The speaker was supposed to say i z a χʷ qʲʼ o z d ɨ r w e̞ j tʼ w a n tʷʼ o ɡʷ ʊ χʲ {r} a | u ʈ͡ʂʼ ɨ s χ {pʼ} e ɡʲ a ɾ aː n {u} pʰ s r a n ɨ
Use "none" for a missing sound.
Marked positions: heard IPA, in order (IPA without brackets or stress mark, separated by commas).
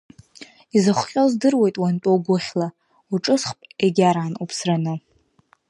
l, pʼ, u